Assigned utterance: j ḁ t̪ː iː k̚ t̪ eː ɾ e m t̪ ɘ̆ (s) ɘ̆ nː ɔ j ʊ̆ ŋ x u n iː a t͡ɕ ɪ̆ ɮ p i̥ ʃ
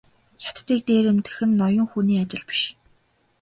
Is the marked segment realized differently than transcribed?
yes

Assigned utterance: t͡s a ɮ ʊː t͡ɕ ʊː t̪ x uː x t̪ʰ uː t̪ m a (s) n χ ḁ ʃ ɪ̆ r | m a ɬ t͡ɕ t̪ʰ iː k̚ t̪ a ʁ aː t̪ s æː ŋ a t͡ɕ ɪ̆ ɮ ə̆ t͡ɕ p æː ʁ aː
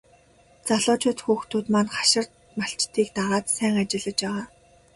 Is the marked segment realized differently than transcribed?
yes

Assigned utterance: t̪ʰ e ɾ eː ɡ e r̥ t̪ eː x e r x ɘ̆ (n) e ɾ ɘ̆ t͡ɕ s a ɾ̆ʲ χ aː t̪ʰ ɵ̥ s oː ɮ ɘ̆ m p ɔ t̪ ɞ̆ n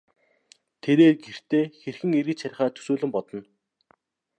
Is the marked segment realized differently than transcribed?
yes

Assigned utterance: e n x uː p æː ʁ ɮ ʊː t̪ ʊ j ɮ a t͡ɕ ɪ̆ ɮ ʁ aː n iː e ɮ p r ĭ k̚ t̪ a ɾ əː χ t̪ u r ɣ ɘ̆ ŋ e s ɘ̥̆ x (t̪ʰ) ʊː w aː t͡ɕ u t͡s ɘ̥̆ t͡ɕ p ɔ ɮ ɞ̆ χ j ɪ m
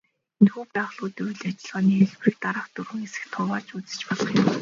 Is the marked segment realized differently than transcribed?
no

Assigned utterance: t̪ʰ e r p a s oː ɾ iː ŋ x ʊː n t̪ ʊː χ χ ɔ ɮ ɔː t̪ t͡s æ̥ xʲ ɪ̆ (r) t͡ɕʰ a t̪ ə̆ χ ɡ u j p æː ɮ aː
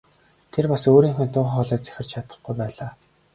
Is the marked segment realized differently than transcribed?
no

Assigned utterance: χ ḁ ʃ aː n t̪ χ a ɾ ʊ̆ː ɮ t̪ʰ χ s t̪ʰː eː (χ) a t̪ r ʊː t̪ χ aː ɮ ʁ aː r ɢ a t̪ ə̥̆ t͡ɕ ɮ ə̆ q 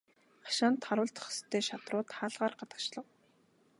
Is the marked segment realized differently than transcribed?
yes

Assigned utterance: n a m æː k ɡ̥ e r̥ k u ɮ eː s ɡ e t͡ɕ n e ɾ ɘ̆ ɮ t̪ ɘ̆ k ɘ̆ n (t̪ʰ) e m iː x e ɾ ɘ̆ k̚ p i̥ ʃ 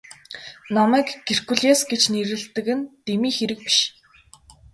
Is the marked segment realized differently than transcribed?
yes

